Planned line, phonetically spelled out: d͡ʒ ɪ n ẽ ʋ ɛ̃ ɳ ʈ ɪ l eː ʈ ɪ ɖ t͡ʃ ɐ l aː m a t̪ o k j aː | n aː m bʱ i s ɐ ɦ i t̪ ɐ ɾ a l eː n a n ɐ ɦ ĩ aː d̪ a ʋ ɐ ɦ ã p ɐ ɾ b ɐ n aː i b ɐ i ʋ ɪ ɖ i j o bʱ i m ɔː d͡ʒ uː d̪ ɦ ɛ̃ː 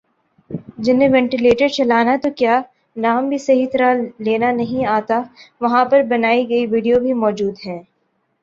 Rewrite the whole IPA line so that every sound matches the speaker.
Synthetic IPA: d͡ʒ ɪ n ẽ ʋ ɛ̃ ɳ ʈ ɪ l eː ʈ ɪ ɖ t͡ʃ ɐ l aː n a t̪ o k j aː | n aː m bʱ i s ɐ ɦ i t̪ ɐ ɾ a l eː n a n ɐ ɦ ĩ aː t̪ a ʋ ɐ ɦ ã p ɐ ɾ b ɐ n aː i ɡ ɐ i ʋ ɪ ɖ i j o bʱ i m ɔː d͡ʒ uː d̪ ɦ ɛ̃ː